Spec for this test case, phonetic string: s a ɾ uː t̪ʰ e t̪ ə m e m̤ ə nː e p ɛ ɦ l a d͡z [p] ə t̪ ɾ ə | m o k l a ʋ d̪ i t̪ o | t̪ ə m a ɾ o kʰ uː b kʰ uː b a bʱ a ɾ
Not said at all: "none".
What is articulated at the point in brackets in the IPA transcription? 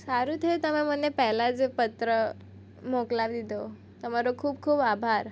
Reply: p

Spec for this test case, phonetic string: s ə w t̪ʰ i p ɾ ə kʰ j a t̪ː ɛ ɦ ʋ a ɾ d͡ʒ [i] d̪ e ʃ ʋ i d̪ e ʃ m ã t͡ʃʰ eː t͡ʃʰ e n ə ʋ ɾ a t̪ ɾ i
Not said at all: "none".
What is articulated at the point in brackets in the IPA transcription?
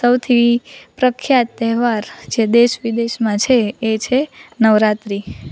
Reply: e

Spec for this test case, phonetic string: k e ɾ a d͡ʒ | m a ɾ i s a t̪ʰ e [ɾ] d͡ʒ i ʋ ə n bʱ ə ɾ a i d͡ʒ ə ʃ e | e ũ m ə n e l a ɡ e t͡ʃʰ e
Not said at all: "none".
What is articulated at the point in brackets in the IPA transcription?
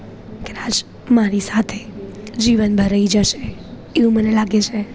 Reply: none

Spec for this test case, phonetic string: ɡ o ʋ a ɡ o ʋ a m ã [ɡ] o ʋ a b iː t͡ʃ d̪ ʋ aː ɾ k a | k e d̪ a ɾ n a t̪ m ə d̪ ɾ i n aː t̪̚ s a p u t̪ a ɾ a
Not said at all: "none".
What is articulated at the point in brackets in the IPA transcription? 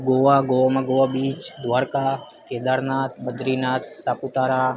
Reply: ɡ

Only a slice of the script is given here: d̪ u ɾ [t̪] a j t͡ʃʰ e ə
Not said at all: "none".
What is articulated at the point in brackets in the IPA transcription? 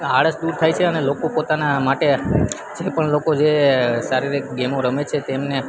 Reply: t̪ʰ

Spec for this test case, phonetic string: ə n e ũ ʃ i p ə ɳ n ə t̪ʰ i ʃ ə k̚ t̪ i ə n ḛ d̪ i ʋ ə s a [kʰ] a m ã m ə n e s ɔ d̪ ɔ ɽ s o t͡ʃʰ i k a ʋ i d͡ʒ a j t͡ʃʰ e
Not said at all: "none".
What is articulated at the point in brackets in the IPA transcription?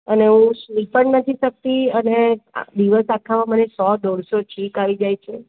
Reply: kʰ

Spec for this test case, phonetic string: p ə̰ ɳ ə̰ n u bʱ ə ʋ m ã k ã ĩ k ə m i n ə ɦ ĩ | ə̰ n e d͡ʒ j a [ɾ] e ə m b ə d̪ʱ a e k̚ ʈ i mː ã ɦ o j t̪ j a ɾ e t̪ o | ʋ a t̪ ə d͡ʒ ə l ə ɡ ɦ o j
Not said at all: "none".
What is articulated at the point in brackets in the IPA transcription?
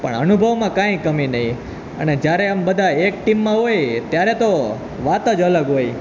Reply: ɾ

